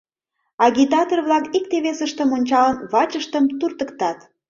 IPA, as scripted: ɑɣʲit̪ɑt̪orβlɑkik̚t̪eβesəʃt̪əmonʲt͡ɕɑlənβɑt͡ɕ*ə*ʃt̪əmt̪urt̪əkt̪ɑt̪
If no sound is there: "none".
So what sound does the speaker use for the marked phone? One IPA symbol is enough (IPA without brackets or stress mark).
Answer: ə